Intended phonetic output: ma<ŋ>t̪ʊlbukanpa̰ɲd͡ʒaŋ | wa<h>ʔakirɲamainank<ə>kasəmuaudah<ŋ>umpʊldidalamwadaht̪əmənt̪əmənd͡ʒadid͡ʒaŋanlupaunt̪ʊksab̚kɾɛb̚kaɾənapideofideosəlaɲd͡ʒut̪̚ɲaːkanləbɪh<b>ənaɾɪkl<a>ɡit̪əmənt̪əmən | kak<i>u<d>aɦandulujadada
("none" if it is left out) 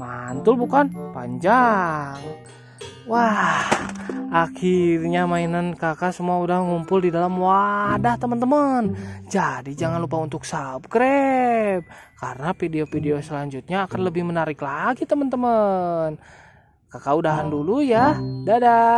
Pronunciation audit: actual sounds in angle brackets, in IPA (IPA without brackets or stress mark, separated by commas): n, h, a, ŋ, m, a, a, d